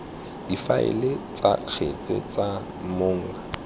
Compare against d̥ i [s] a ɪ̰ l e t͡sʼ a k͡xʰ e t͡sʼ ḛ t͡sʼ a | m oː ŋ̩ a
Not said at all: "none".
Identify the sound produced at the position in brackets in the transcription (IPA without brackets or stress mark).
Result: f